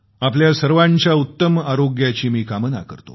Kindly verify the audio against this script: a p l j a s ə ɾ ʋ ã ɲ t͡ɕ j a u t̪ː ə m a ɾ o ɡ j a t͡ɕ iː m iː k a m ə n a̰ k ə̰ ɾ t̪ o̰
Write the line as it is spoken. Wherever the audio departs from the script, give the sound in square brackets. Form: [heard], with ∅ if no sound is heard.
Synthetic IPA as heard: a p l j a s ə ɾ ʋ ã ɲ t͡ɕ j a u t̪ː ə m a ɾ o ɡ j a t͡ɕ iː m iː k a m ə n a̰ k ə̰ ɾ t̪ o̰

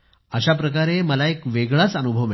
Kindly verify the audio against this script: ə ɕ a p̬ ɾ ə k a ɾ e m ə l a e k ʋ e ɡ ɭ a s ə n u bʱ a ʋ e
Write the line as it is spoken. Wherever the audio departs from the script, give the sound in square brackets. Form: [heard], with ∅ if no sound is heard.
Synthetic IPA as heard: ə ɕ a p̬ ɾ ə k a ɾ e m ə l a e k ʋ e ɡ ɭ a [t͡s] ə n u bʱ [ə] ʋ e

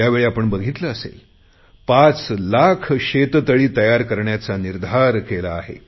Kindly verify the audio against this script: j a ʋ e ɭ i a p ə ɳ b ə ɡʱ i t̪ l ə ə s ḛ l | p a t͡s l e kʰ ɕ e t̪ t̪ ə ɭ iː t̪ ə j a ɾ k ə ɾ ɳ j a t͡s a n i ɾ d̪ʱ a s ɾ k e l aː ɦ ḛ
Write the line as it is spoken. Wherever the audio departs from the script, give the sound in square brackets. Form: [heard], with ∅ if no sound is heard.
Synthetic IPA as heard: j a ʋ e ɭ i a p ə ɳ b ə ɡʱ i t̪ l ə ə s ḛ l | p a t͡s l [a] kʰ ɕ e t̪ t̪ ə ɭ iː t̪ ə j a ɾ k ə ɾ ɳ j a t͡s a n i ɾ d̪ʱ a [∅] ɾ k e l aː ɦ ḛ

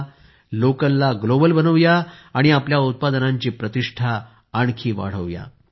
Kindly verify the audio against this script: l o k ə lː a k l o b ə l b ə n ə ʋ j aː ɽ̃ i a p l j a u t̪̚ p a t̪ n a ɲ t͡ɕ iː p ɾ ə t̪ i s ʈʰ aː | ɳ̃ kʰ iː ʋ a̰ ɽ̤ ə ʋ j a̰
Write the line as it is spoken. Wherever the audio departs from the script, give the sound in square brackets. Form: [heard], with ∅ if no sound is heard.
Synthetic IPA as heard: l o k ə lː a [ɡ] l o b ə l b ə n ə ʋ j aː ɽ̃ i a p l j a u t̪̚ p a [d̪] n a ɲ t͡ɕ iː p ɾ ə t̪ i [ʂ] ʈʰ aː | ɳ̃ kʰ iː ʋ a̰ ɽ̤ ə ʋ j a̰

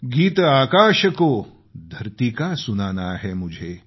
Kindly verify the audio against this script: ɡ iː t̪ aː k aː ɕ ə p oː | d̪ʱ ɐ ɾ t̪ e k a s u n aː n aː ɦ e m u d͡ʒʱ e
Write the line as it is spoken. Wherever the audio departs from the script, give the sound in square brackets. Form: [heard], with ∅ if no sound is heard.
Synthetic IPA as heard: ɡ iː t̪ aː k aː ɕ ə [k] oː | d̪ʱ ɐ ɾ t̪ [i] k a s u n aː n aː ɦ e m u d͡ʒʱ e

